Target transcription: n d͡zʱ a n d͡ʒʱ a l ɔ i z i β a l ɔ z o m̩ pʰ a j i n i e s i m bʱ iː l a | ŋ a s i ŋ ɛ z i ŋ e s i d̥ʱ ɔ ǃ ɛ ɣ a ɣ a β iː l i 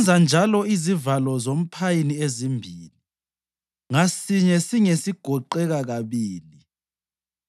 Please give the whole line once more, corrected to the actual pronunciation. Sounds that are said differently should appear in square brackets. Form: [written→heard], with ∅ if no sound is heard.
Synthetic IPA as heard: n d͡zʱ a n d͡ʒʱ a l ɔ i z i [β→v] a l ɔ z o m̩ pʰ a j i n i e [s→z] i m bʱ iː l [a→i] | ŋ a s i [ŋ→ɲ] ɛ [z→s] i ŋ e s i [d̥ʱ→ɡ̥ʱ] ɔ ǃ ɛ ɣ a ɣ a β iː l i